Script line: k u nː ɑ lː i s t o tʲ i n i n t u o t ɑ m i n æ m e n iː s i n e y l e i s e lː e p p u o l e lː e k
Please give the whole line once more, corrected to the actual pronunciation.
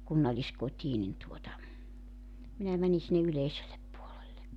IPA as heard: k u nː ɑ lː i s k o tʲ iː n i n t u o t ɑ m i n æ m æ n i s i nː e y l e i s e lː e p p u o l e lː e k